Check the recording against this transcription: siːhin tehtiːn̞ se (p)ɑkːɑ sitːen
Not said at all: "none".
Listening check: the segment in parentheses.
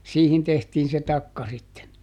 t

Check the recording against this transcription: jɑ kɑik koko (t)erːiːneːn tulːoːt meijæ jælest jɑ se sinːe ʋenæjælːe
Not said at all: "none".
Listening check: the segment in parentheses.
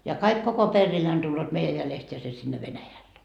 p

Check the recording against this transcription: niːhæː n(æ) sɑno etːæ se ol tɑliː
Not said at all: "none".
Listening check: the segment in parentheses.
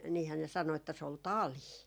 e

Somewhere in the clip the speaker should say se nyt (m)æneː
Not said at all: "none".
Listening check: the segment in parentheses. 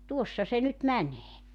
m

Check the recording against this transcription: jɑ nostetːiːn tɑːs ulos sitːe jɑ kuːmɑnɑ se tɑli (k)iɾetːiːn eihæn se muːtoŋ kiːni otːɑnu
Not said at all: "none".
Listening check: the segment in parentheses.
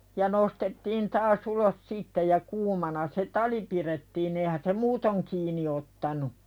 p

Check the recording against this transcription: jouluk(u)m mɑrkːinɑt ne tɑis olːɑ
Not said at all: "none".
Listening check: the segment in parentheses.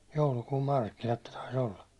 uː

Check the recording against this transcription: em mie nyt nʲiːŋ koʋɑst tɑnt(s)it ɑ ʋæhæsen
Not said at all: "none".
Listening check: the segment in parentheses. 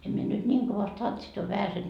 s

